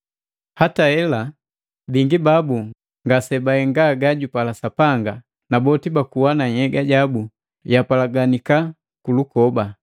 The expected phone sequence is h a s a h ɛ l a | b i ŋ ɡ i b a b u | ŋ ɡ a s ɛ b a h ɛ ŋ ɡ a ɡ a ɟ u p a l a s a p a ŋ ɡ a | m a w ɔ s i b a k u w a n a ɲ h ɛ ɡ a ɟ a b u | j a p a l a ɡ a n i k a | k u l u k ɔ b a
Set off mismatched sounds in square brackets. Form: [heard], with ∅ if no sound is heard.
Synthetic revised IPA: h a [t] a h ɛ l a | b i ŋ ɡ i b a b u | ŋ ɡ a s ɛ b a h ɛ ŋ ɡ a ɡ a ɟ u p a l a s a p a ŋ ɡ a | [n] a [b] ɔ [t] i b a k u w a n a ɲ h ɛ ɡ a ɟ a b u | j a p a l a ɡ a n i k a | k u l u k ɔ b a